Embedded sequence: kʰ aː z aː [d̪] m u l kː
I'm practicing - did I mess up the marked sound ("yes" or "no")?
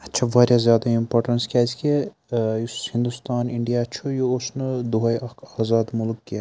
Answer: no